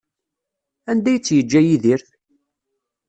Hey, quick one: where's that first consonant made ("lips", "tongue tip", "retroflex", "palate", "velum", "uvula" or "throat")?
tongue tip